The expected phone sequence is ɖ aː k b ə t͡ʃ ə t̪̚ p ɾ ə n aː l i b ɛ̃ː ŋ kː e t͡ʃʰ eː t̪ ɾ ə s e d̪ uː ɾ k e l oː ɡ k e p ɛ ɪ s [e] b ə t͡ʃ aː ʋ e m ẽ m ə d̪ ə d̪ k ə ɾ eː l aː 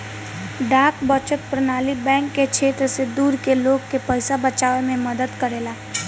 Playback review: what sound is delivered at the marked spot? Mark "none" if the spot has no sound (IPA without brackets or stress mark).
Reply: a